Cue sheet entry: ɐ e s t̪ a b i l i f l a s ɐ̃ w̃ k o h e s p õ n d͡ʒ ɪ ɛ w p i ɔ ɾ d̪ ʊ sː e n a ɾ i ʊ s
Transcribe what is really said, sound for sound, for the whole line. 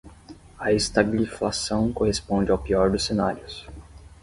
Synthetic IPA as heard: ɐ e s t̪ a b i l i f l a s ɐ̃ w̃ k o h e s p õ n d͡ʒ ɪ a w p i ɔ ɾ d̪ ʊ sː e n a ɾ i ʊ s